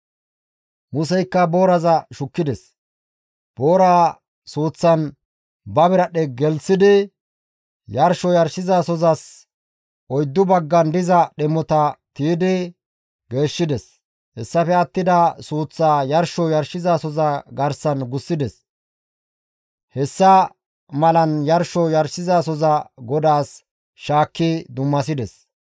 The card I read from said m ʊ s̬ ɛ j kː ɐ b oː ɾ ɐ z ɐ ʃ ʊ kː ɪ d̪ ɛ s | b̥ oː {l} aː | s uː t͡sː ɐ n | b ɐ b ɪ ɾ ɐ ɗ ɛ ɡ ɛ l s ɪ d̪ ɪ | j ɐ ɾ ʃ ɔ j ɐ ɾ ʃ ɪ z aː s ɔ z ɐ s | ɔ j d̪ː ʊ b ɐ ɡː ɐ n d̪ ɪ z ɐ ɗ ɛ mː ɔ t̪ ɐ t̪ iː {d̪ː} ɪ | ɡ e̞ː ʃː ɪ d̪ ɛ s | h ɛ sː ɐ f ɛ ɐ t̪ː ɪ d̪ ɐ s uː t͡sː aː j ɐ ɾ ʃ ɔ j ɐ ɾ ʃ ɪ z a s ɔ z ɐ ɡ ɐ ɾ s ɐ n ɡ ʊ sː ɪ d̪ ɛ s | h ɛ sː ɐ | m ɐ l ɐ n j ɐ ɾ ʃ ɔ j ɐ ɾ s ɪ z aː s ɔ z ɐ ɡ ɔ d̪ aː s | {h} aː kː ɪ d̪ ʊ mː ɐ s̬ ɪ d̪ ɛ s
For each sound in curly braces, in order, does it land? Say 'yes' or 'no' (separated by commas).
no, no, no